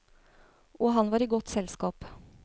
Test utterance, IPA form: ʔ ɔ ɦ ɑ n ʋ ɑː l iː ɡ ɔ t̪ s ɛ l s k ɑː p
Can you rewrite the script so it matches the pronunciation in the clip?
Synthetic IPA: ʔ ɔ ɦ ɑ n ʋ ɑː ɾ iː ɡ ɔ t̪ s ɛ l s k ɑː p